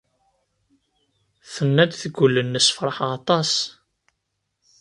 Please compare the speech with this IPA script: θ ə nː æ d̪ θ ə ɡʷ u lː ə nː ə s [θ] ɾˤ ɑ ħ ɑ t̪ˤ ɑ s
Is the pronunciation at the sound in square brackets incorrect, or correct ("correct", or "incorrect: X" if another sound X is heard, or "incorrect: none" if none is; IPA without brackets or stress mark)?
incorrect: f